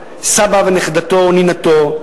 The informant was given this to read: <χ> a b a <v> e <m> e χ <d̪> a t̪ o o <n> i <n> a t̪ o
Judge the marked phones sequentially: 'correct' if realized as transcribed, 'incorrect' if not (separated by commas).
incorrect, correct, incorrect, correct, correct, correct